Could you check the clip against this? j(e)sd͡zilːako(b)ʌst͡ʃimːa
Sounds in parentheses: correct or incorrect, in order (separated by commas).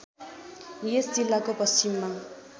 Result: correct, incorrect